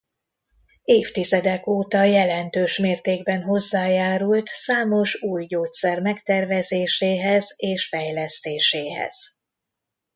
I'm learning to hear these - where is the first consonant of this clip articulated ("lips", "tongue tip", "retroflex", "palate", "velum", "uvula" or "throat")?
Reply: lips